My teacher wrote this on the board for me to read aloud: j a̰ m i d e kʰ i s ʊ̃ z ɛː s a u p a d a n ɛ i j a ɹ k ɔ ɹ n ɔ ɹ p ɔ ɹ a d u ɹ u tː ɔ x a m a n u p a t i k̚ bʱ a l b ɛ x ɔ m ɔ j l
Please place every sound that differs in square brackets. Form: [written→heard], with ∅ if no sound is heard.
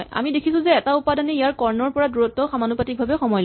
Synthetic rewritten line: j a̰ m i d e kʰ i s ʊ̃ z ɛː [s→t] a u p a d a n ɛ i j a ɹ k ɔ ɹ n ɔ ɹ p ɔ ɹ a d u ɹ [u→ɔ] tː ɔ x a m a n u p a t i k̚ bʱ a [l→∅] b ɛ x ɔ m ɔ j l